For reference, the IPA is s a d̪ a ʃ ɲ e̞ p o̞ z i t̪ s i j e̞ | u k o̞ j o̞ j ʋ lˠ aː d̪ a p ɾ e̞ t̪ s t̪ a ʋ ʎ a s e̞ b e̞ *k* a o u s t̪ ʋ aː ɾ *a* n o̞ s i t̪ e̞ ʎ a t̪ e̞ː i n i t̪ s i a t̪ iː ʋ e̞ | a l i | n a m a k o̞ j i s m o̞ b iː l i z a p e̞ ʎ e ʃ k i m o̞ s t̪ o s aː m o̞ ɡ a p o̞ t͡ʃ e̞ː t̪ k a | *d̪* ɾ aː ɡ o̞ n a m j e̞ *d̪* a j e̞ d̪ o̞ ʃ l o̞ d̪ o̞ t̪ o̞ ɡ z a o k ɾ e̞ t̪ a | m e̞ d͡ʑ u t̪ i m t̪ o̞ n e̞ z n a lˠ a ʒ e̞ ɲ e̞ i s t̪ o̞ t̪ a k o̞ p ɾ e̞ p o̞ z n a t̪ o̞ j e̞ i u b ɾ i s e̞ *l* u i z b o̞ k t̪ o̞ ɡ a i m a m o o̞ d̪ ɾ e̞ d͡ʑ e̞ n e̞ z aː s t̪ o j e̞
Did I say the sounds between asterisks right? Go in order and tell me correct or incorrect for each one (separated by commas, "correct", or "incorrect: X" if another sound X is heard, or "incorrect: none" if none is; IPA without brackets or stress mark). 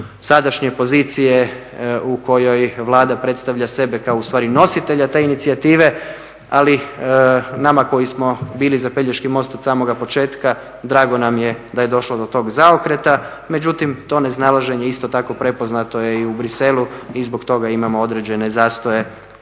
correct, incorrect: i, correct, correct, correct